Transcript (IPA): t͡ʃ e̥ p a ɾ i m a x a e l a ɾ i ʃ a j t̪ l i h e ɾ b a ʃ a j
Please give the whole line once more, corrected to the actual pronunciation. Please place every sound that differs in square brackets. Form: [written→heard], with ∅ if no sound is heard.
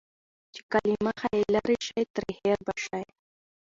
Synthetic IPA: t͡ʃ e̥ [p→k] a [ɾ→l] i m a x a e l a ɾ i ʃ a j t̪ [l→ɾ] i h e ɾ b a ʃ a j